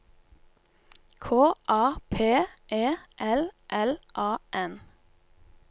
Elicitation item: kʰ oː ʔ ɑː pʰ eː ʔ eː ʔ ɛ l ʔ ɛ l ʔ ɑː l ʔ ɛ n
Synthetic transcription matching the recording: kʰ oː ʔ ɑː pʰ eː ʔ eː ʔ ɛ l ʔ ɛ l ʔ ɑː ʔ ɛ n